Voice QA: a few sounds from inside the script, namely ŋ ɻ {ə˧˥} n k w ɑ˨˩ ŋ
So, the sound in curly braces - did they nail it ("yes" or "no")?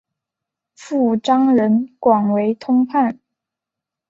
yes